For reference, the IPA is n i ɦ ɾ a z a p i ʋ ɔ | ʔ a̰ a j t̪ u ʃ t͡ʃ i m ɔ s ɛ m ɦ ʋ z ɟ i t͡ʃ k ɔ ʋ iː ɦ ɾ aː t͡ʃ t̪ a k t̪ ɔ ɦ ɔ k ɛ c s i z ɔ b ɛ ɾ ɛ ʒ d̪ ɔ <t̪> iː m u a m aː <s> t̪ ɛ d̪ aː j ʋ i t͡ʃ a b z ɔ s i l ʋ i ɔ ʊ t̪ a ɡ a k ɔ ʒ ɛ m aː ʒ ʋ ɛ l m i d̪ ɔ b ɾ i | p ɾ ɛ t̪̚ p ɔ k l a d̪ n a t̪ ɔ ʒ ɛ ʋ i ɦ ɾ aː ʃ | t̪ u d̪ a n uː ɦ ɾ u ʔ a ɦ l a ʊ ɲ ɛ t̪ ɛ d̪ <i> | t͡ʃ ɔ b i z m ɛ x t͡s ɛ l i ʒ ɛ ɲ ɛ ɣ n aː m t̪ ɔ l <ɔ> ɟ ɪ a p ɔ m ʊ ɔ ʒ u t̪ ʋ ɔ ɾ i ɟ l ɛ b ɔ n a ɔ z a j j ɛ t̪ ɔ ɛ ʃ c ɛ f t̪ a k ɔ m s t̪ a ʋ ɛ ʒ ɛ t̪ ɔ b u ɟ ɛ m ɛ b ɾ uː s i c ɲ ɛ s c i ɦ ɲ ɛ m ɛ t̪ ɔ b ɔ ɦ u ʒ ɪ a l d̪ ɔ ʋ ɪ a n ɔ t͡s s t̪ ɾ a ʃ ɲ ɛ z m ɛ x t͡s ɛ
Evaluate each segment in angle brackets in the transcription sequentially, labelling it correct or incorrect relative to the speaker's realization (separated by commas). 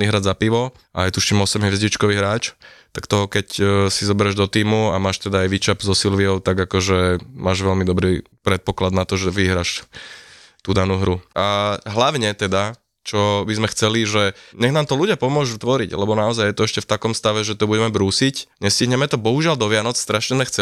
correct, incorrect, incorrect, incorrect